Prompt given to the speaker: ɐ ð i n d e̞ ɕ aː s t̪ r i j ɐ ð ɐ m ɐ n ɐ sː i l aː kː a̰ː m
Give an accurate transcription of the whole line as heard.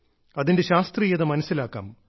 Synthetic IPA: ɐ ð i n d e̞ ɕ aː s t̪ r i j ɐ ð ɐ m ɐ n ɐ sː i l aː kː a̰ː m